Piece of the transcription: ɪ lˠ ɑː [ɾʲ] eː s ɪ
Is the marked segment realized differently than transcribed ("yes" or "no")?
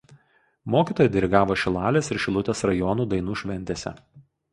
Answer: yes